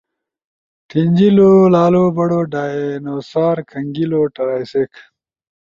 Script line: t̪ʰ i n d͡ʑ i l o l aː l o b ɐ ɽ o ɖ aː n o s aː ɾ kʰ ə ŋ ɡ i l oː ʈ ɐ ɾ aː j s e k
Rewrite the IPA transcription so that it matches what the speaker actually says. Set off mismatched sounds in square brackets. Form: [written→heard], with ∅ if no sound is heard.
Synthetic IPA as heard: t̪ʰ i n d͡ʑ i l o l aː l o b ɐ ɽ o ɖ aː n o s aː ɾ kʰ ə ŋ ɡ i l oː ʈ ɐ ɾ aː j s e k